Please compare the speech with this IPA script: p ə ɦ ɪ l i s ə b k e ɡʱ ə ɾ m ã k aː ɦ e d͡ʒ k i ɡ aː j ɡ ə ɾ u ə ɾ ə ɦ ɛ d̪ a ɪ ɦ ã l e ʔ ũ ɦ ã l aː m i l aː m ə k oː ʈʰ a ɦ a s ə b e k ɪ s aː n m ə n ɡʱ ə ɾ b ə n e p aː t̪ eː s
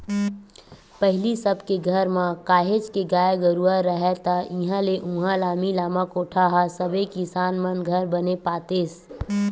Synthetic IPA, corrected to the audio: p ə ɦ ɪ l i s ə b k e ɡʱ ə ɾ m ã k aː ɦ e d͡ʒ k e ɡ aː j ɡ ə ɾ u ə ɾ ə ɦ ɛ t̪ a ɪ ɦ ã l e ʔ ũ ɦ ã l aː m i l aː m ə k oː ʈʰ a ɦ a s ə b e k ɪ s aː n m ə n ɡʱ ə ɾ b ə n e p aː t̪ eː s